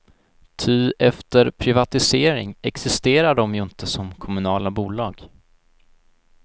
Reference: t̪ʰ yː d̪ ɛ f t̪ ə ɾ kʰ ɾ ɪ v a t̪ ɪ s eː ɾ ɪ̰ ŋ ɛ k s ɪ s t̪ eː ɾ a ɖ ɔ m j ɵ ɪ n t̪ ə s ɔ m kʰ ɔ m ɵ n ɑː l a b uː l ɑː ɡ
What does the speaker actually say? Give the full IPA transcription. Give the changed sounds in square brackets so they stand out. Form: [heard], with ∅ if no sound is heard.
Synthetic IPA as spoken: t̪ʰ yː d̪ ɛ f t̪ ə ɾ [pʰ] ɾ ɪ v a t̪ ɪ s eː ɾ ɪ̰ ŋ ɛ k s ɪ s t̪ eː ɾ a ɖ ɔ m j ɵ ɪ n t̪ ə s ɔ m kʰ ɔ m ɵ n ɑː l a b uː l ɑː ɡ